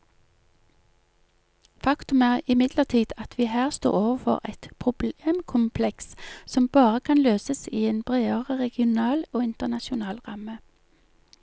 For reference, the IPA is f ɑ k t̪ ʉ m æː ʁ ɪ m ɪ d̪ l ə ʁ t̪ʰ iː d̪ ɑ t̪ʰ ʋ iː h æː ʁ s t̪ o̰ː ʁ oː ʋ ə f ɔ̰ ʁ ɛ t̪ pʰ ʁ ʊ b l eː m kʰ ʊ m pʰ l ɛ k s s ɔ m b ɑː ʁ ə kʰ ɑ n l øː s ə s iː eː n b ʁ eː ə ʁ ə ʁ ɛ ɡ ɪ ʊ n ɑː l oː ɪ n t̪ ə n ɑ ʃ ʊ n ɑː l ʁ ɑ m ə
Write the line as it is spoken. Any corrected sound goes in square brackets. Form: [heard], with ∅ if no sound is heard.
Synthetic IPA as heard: f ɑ k t̪ ʉ m æː ʁ ɪ m ɪ d̪ l ə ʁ t̪ʰ iː d̪ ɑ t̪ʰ ʋ iː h æː ʁ s t̪ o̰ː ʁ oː ʋ ə f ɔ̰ ʁ ɛ t̪ pʰ ʁ ʊ b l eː m kʰ ʊ m pʰ l ɛ k s s ɔ m b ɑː ʁ ə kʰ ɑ n l øː s ə s iː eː n b ʁ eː ə ʁ ə ʁ ɛ ɡ ɪ ʊ n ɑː l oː ɪ n t̪ ə n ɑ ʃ ʊ n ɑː l ʁ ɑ m ə